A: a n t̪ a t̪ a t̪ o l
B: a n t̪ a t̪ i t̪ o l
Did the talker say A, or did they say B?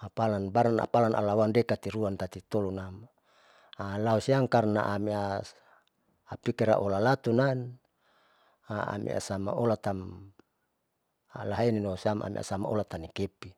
B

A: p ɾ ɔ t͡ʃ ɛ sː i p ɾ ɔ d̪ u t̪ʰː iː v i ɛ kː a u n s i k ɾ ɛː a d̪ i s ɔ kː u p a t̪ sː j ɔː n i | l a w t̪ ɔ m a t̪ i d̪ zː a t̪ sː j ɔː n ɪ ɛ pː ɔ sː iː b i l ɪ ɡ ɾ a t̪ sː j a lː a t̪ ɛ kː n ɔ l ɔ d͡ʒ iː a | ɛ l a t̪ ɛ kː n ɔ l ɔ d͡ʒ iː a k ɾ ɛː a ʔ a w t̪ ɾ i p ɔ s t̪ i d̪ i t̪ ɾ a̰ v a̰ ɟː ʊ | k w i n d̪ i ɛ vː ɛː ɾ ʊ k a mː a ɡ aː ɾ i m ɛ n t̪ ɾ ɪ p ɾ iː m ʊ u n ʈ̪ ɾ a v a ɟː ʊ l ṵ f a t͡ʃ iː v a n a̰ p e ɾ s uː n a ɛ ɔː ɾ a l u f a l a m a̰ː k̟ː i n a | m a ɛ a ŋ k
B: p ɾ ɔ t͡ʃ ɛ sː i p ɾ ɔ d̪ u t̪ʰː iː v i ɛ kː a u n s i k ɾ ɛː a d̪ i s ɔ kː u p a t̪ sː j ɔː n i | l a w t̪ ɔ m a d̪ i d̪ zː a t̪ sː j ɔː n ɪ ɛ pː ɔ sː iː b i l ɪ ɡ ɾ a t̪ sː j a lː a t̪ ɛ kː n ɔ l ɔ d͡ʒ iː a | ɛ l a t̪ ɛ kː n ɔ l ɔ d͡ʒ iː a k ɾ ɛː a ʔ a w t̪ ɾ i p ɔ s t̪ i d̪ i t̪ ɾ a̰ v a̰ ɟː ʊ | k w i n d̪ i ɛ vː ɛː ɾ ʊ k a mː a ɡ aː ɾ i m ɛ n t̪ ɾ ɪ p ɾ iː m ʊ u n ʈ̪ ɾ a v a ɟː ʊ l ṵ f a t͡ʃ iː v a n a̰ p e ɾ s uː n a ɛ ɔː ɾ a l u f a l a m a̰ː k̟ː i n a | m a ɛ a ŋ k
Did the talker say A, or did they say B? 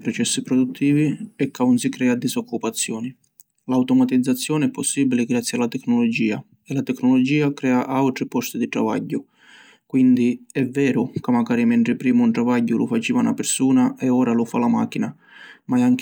A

